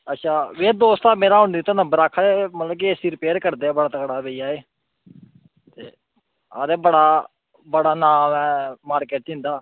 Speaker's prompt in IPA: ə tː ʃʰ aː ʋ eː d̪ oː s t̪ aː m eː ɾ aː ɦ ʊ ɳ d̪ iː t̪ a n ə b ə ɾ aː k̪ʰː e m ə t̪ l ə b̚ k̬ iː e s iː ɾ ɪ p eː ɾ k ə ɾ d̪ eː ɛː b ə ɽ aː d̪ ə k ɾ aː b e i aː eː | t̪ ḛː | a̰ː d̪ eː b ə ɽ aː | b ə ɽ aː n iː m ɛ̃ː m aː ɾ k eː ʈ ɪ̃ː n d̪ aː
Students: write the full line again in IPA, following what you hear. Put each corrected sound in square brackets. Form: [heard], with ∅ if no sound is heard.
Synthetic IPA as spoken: ə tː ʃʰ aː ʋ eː d̪ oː s t̪ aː m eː ɾ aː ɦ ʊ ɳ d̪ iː t̪ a n ə b ə ɾ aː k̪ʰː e m ə t̪ l ə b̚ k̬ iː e s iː ɾ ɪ p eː ɾ k ə ɾ d̪ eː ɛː b ə ɽ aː [t̪] ə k [ɽ] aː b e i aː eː | t̪ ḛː | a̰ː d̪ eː b ə ɽ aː | b ə ɽ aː n [aː] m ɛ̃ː m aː ɾ k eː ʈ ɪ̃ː n d̪ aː